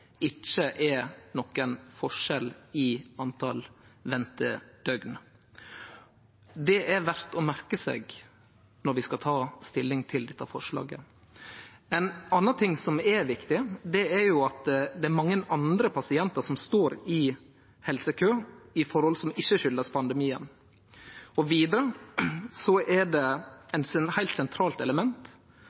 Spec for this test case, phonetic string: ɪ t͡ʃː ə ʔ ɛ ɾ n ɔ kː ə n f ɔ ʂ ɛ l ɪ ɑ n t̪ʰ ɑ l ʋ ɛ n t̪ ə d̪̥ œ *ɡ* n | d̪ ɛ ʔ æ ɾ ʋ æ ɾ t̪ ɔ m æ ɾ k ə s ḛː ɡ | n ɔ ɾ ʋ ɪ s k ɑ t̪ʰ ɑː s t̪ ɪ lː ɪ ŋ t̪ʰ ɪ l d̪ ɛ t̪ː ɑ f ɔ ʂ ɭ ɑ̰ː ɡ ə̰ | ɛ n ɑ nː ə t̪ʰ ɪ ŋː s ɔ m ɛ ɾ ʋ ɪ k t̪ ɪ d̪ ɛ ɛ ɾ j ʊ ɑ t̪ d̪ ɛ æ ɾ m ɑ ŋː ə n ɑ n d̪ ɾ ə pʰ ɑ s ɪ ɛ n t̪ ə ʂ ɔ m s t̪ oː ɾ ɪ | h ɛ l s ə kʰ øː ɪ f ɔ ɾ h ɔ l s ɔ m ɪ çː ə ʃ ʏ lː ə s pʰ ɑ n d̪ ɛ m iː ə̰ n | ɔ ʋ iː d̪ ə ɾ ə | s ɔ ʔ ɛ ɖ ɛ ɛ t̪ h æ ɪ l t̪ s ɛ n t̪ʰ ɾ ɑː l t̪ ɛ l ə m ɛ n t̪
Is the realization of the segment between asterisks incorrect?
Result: no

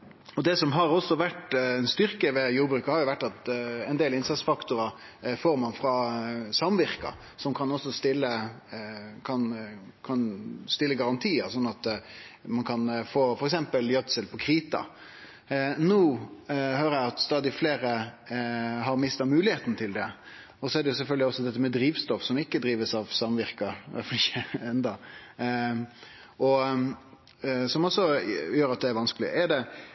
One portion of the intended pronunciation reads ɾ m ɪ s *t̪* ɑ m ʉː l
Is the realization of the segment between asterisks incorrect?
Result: no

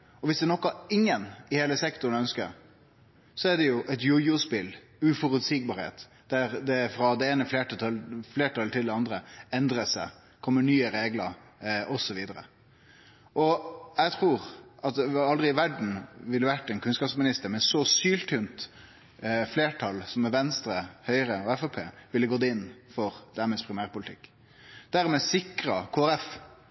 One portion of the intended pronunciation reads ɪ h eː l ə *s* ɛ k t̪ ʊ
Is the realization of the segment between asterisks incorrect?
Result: no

